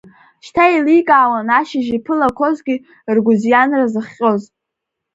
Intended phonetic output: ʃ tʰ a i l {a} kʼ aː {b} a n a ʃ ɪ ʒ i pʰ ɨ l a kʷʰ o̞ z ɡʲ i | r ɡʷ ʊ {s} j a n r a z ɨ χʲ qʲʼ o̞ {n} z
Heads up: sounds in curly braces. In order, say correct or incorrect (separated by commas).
incorrect, incorrect, incorrect, incorrect